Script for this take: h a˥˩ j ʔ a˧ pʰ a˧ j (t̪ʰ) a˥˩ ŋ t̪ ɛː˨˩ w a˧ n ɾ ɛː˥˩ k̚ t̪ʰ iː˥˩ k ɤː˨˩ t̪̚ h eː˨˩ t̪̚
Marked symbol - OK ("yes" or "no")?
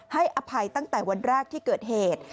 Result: no